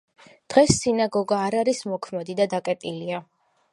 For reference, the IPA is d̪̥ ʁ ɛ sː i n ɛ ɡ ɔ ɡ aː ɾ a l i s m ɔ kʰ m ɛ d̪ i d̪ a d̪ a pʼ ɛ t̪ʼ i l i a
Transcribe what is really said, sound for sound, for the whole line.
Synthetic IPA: d̪̥ ʁ ɛ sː i n a ɡ ɔ ɡ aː ɾ a ɾ i s m ɔ kʰ m ɛ d̪ i d̪ a d̪ a kʼ ɛ t̪ʼ i l i a